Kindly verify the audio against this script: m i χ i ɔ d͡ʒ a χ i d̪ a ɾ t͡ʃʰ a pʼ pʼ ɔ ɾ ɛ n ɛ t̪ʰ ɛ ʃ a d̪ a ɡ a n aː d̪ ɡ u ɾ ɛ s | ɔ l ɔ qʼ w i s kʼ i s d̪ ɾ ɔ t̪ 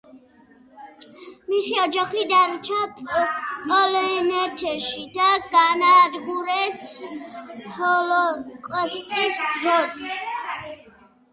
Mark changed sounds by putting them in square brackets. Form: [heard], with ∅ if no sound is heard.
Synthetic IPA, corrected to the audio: m i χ i ɔ d͡ʒ a χ i d̪ a ɾ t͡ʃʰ a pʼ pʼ ɔ [l] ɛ n ɛ t̪ʰ ɛ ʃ [i] d̪ a ɡ a n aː d̪ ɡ u ɾ ɛ s | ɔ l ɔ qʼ w [ɛ] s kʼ i s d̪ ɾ ɔ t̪